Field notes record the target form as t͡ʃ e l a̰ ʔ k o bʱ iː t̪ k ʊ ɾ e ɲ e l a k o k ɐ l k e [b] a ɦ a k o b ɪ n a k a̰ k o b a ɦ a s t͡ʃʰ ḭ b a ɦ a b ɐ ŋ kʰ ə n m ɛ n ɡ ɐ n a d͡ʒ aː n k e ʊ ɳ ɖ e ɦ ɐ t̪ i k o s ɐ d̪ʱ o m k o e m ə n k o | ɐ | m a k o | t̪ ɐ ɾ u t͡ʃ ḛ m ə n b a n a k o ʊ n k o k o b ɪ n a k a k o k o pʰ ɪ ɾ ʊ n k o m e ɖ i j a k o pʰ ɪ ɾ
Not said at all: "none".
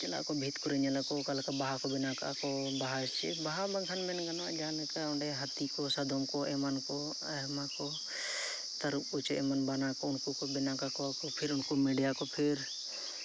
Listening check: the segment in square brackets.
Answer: b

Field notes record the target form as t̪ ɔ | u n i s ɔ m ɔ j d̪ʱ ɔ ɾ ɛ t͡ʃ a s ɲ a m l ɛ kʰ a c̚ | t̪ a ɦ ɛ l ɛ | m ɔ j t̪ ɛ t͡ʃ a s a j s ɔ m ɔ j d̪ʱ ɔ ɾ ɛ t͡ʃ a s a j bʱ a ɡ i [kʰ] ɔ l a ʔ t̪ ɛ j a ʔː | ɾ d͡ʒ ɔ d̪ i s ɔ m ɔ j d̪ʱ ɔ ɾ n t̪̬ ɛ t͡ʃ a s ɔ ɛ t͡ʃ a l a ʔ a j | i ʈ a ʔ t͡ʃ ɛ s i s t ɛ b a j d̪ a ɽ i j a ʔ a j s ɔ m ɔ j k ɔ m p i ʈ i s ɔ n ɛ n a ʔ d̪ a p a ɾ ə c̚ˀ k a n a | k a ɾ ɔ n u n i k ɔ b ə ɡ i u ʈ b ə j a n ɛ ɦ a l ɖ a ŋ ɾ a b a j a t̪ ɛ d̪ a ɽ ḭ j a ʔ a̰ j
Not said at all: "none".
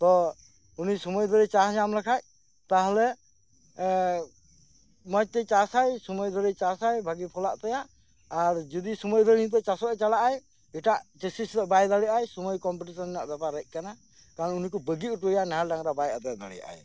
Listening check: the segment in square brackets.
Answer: pʰ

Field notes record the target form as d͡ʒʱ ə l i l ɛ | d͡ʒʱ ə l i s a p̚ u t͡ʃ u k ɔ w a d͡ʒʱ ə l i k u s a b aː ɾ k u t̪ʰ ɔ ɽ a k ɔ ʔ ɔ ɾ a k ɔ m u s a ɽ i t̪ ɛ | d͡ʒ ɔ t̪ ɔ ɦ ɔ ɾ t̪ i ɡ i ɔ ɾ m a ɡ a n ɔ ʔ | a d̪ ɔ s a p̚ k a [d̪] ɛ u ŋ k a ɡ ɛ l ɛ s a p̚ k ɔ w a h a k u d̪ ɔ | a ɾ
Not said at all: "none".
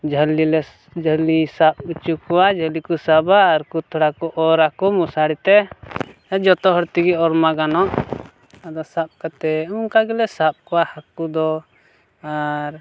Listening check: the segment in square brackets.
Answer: t̪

